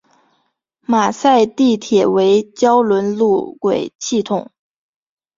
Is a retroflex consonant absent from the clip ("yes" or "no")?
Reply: yes